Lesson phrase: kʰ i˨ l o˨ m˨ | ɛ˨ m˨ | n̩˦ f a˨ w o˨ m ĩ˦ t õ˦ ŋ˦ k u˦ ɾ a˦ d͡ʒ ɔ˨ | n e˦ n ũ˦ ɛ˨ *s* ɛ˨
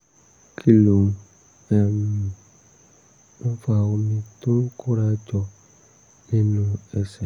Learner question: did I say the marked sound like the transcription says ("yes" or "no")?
yes